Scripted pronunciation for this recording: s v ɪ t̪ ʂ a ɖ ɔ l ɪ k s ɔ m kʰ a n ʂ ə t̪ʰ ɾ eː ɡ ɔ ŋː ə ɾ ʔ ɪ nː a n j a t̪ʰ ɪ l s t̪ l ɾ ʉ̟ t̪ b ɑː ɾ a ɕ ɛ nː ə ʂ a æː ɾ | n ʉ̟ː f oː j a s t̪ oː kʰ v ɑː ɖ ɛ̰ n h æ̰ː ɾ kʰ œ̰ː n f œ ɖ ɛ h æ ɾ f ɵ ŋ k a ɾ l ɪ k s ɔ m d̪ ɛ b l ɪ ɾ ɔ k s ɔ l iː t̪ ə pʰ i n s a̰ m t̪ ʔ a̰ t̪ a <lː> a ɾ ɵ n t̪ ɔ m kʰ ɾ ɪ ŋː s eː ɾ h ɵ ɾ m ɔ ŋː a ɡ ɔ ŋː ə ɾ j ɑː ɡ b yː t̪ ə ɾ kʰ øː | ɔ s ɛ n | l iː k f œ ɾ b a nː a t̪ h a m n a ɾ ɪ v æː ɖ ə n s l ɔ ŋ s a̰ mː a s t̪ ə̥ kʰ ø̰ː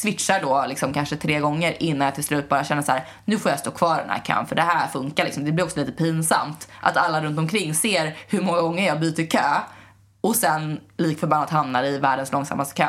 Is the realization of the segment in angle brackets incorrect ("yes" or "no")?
no